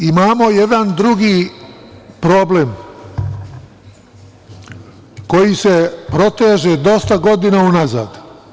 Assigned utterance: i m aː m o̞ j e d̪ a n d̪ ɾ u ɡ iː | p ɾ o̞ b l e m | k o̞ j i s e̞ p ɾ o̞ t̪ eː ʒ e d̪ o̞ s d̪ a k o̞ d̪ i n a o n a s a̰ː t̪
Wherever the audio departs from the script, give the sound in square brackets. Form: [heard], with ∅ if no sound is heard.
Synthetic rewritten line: i m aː m o̞ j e d̪ a n d̪ ɾ u ɡ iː | p ɾ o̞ b l e m | k o̞ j i s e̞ p ɾ o̞ t̪ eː ʒ e d̪ o̞ s [t̪] a [ɡ] o̞ d̪ i n a [u] n a [z] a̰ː [d̪]